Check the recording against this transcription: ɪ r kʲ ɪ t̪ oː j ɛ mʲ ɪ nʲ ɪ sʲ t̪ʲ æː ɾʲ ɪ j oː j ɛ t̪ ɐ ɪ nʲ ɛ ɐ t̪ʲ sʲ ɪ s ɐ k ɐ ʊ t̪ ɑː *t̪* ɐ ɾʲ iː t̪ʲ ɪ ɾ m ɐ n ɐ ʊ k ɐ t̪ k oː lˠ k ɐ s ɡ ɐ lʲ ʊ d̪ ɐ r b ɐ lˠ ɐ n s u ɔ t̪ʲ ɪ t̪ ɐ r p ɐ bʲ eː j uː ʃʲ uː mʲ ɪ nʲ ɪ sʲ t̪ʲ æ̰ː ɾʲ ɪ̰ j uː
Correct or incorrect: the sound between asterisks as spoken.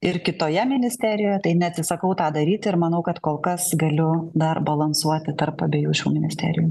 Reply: incorrect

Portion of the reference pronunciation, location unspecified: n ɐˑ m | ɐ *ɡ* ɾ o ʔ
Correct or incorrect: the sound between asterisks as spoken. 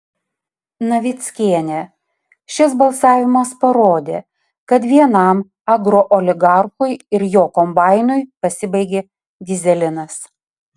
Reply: correct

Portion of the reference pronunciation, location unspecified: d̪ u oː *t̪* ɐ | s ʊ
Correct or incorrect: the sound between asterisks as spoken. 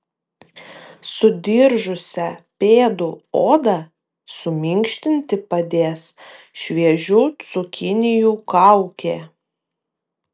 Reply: incorrect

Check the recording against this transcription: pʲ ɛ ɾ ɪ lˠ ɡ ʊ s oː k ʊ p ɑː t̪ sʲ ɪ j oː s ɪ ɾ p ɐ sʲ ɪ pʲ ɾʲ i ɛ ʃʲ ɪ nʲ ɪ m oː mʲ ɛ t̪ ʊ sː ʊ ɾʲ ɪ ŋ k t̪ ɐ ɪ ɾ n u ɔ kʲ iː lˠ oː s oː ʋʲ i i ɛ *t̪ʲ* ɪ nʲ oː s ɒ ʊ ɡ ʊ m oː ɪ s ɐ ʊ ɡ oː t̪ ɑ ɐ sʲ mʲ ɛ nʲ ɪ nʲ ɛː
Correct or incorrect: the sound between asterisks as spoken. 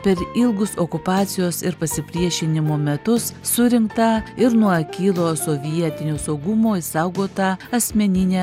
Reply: correct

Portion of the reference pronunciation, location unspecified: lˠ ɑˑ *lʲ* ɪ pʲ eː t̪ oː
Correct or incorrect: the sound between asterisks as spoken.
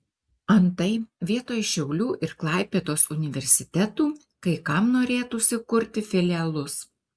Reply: incorrect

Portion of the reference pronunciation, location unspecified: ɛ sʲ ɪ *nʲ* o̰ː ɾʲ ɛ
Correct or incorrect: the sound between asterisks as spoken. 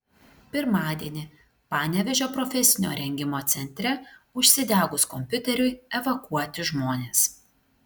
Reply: correct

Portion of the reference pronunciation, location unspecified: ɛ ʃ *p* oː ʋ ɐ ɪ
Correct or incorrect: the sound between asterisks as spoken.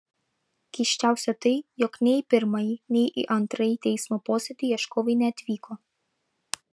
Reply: incorrect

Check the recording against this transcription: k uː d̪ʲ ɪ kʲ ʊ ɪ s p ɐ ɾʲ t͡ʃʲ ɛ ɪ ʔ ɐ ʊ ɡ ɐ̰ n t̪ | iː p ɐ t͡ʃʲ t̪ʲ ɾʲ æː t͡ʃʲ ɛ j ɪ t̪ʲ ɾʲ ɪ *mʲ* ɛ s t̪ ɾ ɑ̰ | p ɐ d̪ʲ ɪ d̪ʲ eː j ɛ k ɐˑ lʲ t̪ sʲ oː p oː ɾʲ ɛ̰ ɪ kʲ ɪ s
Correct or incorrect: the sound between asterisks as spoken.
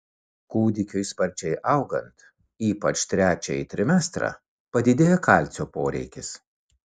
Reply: correct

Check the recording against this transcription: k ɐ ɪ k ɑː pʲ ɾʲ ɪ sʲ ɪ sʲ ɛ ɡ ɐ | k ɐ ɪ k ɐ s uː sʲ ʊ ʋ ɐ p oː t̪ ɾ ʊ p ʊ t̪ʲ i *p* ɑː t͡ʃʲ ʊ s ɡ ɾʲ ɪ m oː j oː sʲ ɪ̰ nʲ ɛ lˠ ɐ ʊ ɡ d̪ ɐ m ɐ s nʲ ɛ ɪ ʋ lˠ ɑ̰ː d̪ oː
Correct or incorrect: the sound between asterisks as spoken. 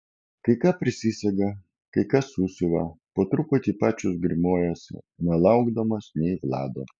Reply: correct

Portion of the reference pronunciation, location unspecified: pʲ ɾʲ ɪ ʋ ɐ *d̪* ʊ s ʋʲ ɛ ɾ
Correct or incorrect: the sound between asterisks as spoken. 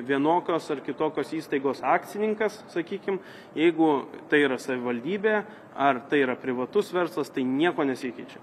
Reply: incorrect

